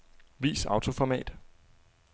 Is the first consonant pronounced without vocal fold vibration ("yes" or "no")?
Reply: no